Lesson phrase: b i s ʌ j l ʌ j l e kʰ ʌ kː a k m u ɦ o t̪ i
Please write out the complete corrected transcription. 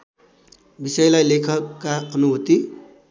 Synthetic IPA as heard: b i s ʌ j l a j l e kʰ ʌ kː a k n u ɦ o t̪ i